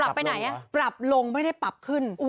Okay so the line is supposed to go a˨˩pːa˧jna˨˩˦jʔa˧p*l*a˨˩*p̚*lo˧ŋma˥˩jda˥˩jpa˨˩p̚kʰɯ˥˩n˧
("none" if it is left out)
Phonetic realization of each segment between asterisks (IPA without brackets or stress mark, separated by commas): ɾ, p̚